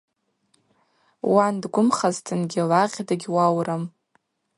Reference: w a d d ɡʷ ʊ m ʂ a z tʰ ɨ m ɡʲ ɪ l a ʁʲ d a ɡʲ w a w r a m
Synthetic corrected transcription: w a n d ɡʷ ʊ m χ a z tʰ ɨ n ɡʲ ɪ l a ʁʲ d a ɡʲ w a w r a m